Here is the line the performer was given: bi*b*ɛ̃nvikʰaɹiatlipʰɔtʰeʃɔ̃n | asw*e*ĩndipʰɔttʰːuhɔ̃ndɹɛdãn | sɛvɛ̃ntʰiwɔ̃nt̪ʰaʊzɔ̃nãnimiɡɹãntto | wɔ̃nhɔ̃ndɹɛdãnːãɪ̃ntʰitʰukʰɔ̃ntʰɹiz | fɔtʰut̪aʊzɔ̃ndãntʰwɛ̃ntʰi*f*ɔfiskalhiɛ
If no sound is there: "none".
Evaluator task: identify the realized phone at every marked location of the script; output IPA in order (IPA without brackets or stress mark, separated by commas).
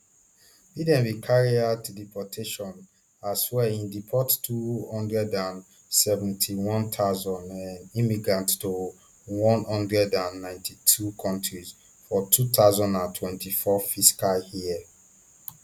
d, ɛ, f